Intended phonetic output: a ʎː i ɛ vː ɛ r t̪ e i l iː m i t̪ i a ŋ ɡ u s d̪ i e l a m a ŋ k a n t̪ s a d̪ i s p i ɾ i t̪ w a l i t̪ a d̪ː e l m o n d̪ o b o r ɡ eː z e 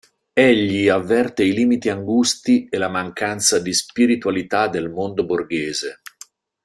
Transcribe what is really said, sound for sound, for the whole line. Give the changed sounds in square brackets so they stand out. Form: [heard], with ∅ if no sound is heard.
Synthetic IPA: [e] ʎː i [a] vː ɛ r t̪ e i l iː m i t̪ i a ŋ ɡ u s [t̪] i e l a m a ŋ k a n t̪ s a d̪ i s p i ɾ i t̪ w a l i t̪ a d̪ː e l m o n d̪ o b o r ɡ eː z e